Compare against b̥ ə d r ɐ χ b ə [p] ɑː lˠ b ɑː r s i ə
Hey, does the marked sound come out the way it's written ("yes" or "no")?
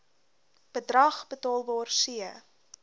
no